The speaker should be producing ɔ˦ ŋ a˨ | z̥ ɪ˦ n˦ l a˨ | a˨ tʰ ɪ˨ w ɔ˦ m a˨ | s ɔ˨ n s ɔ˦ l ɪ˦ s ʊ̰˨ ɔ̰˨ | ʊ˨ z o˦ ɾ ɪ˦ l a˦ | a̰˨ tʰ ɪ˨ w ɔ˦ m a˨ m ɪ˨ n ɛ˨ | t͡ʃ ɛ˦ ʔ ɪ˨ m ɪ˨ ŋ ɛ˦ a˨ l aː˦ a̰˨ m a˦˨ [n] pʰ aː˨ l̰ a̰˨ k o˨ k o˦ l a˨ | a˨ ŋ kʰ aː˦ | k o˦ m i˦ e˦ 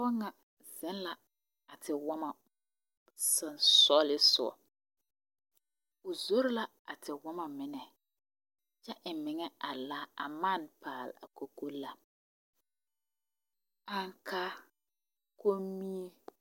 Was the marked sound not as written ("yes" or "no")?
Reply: no